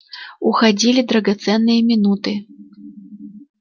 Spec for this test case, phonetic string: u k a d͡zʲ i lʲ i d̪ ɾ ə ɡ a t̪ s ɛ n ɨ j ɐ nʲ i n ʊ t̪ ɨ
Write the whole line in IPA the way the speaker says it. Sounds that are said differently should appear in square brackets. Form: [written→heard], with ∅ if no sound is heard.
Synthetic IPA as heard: u [k→x] a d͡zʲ i lʲ i d̪ ɾ [ə→ɐ] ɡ a t̪ s ɛ [n→nː] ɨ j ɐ [nʲ→mʲ] i n [ʊ→u] t̪ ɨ